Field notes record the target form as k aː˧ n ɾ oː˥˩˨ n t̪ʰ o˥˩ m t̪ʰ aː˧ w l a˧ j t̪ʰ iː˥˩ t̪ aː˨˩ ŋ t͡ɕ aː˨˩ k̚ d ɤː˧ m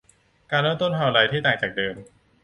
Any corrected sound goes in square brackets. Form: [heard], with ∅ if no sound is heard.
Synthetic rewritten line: k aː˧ n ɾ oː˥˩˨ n [t̪] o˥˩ [n] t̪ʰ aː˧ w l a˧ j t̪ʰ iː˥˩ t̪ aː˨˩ ŋ t͡ɕ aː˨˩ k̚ d ɤː˧ m

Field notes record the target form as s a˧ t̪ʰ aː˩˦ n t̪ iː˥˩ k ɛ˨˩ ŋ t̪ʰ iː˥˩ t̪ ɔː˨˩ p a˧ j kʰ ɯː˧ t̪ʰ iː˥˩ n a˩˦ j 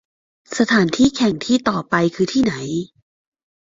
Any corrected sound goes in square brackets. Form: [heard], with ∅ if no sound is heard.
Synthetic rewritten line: s a˧ t̪ʰ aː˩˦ n [t̪ʰ] iː˥˩ [kʰ] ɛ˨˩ ŋ t̪ʰ iː˥˩ t̪ ɔː˨˩ p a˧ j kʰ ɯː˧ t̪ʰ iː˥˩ n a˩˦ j

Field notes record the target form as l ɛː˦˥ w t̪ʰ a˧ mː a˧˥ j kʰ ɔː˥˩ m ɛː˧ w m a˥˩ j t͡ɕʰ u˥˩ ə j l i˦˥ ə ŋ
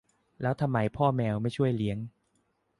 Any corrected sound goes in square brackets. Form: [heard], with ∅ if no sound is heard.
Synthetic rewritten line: l ɛː˦˥ w t̪ʰ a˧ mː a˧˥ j [pʰ] ɔː˥˩ m ɛː˧ w m a˥˩ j t͡ɕʰ u˥˩ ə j l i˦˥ ə ŋ

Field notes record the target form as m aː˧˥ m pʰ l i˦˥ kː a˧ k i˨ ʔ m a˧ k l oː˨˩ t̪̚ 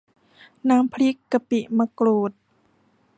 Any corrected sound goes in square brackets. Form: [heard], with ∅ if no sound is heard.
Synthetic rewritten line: [n] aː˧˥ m pʰ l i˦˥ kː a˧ [p] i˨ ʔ m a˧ k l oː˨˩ t̪̚

